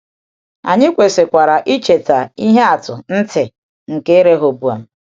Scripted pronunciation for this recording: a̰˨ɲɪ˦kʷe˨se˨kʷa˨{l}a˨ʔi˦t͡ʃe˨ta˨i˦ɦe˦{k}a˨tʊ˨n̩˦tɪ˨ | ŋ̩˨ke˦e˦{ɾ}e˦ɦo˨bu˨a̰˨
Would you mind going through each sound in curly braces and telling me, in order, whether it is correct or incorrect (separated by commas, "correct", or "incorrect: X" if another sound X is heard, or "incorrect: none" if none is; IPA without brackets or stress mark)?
incorrect: ɾ, incorrect: none, correct